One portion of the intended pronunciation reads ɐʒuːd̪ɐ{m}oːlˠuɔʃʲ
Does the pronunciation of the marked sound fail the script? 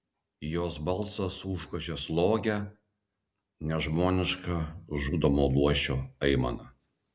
no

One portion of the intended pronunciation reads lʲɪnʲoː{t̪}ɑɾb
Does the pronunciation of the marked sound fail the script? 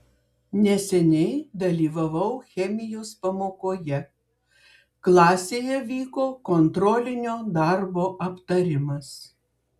yes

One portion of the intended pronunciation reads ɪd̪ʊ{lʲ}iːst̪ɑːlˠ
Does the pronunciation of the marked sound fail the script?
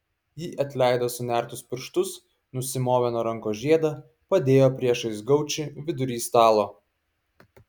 yes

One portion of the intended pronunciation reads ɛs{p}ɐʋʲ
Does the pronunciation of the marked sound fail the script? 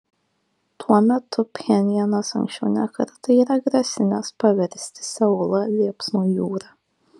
no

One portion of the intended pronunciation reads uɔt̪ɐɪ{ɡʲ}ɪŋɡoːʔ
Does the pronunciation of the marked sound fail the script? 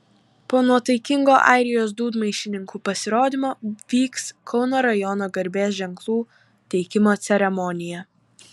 yes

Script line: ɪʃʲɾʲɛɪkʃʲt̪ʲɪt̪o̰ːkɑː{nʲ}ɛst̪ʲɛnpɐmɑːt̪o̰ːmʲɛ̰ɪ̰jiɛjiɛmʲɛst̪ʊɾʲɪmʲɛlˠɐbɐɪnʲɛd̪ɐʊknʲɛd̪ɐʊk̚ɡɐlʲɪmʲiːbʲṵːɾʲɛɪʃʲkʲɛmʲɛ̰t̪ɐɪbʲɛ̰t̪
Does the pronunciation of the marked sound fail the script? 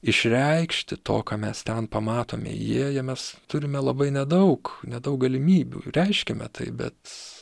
yes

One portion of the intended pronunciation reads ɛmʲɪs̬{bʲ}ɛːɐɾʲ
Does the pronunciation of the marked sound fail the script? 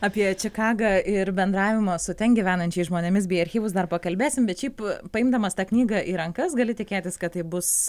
no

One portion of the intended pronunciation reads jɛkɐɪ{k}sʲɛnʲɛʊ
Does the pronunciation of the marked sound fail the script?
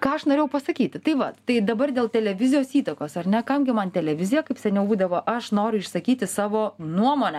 yes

